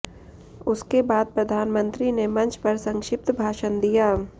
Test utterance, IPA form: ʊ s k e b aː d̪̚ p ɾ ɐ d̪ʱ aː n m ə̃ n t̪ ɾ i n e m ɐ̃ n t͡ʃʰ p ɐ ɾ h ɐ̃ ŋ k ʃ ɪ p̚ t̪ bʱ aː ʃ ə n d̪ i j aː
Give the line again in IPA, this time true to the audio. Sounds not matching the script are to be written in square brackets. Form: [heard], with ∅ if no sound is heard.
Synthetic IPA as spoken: ʊ s k e b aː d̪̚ p ɾ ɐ d̪ʱ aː n m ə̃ n t̪ ɾ i n e m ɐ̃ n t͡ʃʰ p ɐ ɾ [s] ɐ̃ ŋ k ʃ ɪ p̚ t̪ bʱ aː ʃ ə n d̪ i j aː